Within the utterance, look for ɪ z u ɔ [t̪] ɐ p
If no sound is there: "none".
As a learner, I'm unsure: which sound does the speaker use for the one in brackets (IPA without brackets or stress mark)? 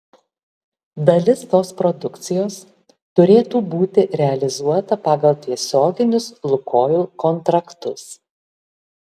t̪